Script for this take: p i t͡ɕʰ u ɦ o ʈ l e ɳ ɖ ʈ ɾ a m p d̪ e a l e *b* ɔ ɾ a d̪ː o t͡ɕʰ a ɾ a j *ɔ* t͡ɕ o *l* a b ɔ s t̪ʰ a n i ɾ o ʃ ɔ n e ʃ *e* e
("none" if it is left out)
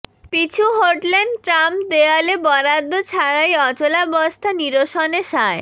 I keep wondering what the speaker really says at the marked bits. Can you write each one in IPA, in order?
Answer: b, ɔ, l, a

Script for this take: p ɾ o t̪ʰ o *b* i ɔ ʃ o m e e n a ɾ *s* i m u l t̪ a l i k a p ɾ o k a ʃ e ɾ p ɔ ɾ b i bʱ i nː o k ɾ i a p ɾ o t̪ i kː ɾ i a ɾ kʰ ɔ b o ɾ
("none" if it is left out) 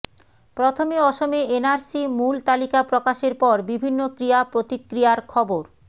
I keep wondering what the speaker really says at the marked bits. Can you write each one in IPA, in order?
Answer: m, s

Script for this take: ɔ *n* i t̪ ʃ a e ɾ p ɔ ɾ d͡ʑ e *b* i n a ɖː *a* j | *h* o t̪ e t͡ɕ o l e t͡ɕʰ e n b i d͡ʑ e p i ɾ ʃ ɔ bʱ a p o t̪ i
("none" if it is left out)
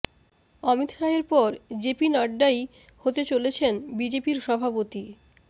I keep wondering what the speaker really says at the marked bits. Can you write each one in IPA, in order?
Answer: m, p, a, h

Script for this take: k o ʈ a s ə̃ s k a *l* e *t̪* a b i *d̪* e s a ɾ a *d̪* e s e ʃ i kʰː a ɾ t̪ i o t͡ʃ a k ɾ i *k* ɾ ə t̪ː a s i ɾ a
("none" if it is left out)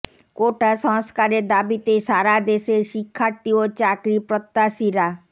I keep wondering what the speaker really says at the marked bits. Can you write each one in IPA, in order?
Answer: ɾ, d̪, t̪, d̪, p

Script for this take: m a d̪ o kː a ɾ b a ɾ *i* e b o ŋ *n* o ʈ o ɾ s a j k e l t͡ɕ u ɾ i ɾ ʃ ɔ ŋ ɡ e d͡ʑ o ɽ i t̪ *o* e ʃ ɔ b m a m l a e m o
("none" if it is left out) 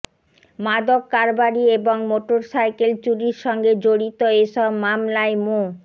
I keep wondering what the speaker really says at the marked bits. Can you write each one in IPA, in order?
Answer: i, m, o

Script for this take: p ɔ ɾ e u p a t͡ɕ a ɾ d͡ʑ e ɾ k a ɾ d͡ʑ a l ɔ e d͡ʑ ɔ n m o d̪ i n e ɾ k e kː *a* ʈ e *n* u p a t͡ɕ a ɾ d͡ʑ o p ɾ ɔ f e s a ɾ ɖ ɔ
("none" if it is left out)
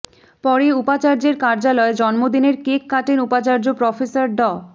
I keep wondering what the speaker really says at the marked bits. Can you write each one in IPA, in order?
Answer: a, n

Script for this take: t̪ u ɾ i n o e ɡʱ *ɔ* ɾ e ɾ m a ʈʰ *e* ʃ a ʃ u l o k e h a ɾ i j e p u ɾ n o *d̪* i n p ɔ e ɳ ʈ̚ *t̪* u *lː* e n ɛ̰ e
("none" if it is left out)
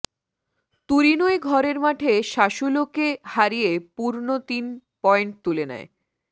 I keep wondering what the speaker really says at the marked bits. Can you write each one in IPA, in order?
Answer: ɔ, e, t̪, t̪, l

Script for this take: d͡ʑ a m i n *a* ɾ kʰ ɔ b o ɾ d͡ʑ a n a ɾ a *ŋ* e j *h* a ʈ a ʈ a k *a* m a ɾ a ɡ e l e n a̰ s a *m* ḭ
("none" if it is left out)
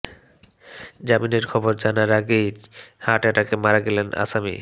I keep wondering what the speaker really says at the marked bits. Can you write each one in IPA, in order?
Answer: e, ɡ, h, e, m

